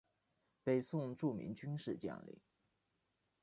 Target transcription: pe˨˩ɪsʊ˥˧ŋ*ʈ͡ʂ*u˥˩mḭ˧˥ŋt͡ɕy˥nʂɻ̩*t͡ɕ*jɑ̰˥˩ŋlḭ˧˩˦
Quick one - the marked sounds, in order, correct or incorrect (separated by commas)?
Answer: correct, correct